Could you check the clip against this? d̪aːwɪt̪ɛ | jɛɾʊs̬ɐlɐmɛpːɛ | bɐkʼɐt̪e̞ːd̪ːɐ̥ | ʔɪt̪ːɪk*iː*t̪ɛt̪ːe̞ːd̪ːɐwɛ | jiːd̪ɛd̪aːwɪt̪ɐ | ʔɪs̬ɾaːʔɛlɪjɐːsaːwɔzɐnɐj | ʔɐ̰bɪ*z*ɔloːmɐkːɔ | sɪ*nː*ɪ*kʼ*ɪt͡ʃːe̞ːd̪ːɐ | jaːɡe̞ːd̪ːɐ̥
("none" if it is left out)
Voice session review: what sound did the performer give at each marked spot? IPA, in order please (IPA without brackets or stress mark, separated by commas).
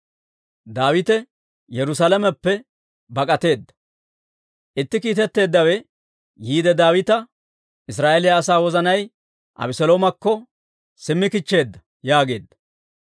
iː, s, mː, k